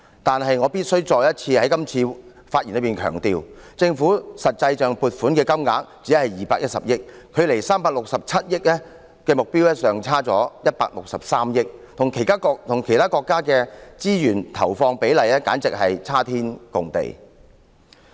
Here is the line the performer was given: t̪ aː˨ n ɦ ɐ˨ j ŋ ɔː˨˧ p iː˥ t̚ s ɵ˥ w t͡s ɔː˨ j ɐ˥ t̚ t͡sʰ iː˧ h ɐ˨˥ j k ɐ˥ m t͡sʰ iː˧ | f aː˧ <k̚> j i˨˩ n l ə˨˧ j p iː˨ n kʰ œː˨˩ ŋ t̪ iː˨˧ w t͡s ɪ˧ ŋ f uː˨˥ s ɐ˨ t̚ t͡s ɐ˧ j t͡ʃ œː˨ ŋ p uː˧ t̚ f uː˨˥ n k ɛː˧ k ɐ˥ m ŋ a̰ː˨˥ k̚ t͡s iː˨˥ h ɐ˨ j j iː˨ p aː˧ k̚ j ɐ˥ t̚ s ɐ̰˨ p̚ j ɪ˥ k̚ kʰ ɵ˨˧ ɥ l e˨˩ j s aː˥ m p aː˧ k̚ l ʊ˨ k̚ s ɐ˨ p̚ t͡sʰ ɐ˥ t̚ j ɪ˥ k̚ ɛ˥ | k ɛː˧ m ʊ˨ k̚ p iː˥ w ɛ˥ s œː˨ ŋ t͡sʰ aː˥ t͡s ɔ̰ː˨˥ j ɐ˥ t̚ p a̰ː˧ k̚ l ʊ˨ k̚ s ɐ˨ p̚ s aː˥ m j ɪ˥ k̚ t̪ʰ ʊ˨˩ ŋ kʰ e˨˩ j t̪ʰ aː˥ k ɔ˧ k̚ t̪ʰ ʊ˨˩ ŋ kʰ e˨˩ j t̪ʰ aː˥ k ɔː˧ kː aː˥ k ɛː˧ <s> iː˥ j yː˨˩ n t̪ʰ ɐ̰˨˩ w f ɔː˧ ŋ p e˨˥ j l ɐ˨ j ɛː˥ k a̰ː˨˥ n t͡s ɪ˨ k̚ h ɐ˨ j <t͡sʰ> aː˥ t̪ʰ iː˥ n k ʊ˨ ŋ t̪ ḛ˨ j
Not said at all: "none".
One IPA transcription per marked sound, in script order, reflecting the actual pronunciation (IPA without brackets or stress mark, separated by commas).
t̚, t͡s, t͡sʰ